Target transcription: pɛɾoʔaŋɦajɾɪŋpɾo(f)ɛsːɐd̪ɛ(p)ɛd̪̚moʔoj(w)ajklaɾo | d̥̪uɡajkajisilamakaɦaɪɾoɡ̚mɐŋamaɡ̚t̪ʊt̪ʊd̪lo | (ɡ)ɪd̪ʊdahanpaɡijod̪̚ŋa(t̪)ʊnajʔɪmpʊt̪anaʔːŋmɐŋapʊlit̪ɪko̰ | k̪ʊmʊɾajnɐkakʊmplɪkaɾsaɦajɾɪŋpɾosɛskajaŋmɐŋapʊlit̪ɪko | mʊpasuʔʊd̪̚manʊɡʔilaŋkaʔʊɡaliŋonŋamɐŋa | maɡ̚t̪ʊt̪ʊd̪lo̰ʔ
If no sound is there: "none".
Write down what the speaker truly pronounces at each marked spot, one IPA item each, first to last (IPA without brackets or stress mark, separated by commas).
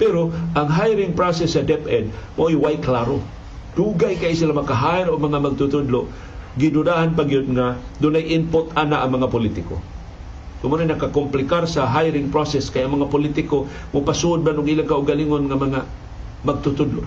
s, p, w, ɡ, d̪